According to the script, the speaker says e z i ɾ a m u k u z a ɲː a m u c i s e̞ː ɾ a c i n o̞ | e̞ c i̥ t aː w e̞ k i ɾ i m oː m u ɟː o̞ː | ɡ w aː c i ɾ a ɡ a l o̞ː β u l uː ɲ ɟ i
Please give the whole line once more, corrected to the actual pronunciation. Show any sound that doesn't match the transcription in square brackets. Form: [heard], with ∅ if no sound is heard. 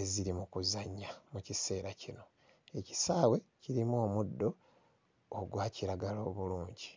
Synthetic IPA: e z i ɾ [i] m u k u z a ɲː a m u c i s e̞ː ɾ a c i n o̞ | e̞ c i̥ [s] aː w e̞ [c] i ɾ i m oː m u [dː] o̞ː | ɡ w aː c i ɾ a ɡ a l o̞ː β u l uː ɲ ɟ i